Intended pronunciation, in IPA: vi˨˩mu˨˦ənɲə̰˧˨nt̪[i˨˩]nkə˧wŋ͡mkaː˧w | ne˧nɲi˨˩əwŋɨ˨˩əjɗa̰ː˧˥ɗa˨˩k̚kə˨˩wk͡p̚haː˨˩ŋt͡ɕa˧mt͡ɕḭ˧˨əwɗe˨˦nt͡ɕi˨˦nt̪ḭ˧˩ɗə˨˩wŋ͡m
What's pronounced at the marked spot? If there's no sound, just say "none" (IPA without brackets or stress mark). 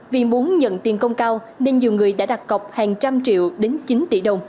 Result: i˨˩